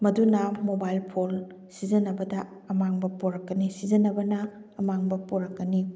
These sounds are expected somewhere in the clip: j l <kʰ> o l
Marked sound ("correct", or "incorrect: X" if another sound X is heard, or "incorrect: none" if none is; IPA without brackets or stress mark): incorrect: pʰ